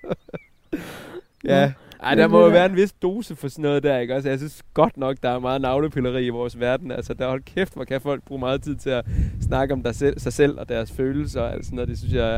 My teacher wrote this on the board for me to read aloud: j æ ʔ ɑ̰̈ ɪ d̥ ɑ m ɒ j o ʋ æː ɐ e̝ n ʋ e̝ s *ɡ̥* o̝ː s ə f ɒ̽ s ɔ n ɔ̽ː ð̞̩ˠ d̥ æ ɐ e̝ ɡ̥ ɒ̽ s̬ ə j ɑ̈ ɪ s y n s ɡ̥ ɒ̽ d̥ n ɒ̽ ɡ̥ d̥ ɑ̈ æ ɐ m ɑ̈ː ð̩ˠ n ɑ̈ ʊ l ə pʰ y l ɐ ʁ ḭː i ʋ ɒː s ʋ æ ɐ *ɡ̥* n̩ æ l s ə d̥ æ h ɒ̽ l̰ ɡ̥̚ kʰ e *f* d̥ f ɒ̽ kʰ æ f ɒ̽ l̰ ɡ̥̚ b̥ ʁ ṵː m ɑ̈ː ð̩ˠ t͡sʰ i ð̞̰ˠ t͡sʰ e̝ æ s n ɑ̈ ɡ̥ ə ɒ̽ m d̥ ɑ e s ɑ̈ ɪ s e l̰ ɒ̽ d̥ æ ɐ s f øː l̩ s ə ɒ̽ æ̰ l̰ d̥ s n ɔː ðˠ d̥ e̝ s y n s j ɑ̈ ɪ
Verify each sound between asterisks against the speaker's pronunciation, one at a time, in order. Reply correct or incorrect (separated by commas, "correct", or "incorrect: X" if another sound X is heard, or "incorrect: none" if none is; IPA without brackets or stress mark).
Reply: incorrect: d̥, incorrect: d̥, correct